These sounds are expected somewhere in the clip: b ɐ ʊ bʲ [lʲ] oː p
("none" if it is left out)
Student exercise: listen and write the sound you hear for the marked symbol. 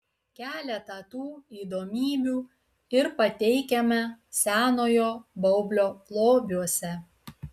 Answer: lʲ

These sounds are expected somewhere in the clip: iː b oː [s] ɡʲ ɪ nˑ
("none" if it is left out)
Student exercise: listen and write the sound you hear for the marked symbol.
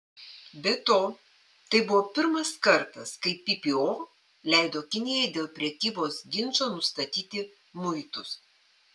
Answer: s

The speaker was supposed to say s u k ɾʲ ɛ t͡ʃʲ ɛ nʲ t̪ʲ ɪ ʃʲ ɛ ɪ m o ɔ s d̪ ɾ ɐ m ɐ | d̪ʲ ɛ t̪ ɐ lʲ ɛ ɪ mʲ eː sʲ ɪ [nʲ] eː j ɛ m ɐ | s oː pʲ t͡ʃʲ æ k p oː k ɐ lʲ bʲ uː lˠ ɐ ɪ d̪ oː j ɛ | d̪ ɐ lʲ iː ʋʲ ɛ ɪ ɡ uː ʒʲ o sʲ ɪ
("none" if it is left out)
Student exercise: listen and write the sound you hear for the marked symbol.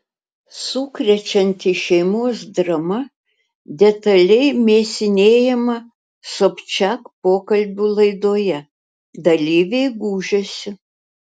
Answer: nʲ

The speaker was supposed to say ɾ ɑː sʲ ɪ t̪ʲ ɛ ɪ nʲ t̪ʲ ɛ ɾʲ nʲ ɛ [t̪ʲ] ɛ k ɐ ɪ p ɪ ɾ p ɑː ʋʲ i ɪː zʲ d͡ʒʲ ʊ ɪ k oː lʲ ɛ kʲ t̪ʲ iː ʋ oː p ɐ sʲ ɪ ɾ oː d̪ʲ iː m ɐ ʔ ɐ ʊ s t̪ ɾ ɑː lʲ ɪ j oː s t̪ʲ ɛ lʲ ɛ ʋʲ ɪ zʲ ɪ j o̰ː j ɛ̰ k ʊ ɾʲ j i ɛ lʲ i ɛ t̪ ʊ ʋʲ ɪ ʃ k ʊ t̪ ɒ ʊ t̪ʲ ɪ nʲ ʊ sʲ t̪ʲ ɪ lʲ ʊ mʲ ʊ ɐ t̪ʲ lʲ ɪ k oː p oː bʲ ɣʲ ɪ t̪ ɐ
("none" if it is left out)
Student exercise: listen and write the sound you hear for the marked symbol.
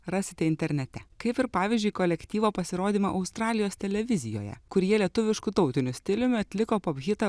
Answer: t̪ʲ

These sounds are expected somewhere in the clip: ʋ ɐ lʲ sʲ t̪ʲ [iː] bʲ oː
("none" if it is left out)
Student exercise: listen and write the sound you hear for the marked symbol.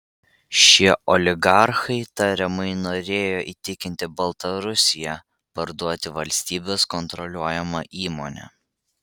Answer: iː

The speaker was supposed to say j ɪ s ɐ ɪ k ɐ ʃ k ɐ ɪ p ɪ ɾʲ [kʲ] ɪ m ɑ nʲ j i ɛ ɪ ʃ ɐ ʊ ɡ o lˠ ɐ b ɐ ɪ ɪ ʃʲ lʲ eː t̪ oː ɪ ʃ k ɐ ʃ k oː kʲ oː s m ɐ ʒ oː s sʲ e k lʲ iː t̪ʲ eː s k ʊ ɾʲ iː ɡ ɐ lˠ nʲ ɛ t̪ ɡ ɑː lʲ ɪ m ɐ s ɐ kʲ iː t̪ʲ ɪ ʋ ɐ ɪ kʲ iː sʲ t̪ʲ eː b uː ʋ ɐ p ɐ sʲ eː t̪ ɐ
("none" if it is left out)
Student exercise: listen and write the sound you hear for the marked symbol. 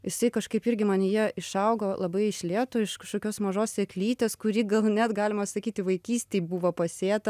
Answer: ɡʲ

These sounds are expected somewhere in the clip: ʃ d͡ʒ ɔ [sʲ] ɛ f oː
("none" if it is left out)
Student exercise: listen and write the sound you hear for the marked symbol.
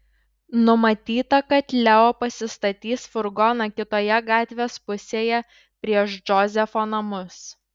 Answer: zʲ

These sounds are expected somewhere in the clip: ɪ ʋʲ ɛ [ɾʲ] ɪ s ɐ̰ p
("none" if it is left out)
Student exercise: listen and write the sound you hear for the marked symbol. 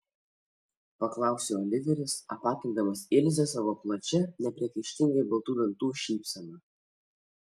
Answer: ɾʲ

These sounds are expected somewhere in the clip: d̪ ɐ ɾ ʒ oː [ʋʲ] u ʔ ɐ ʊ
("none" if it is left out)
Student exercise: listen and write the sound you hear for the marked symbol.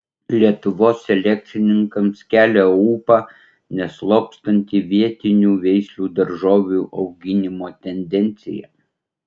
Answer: ʋʲ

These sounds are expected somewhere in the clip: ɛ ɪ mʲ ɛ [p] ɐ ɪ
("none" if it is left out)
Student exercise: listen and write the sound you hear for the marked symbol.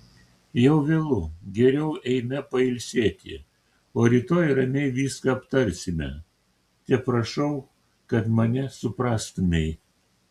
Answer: p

